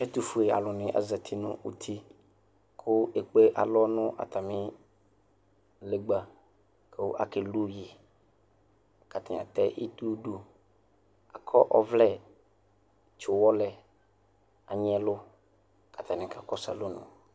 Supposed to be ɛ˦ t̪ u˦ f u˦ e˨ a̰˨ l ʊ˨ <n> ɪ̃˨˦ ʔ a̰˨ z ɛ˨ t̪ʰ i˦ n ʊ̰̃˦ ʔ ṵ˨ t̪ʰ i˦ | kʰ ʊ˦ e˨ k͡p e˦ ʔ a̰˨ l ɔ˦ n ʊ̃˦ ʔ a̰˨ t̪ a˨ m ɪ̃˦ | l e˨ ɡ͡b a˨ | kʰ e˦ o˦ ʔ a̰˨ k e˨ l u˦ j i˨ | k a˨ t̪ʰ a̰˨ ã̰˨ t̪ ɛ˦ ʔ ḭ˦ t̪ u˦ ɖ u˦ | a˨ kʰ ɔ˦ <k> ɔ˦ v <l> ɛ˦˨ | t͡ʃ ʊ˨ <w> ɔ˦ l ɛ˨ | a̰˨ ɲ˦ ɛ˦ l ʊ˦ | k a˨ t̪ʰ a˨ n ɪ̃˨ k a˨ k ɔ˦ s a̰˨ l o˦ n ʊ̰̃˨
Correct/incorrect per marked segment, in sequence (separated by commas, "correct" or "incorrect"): correct, incorrect, correct, correct